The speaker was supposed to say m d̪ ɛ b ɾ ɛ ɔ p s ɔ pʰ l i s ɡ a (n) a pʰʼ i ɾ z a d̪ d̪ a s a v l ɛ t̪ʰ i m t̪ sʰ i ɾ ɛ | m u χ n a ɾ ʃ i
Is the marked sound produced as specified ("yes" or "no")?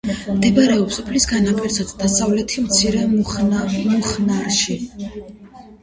yes